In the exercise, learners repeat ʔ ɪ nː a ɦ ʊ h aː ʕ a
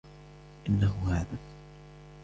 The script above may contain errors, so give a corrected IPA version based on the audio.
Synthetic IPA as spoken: ʔ ɪ nː a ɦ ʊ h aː ð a